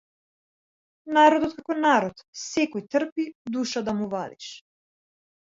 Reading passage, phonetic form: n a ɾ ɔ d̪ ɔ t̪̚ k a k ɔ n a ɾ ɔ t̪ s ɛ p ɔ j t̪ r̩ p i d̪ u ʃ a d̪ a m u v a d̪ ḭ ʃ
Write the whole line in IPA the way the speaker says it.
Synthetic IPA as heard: n a ɾ ɔ d̪ ɔ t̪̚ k a k ɔ n a ɾ ɔ t̪ s ɛ k ɔ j t̪ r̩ p i d̪ u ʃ a d̪ a m u v a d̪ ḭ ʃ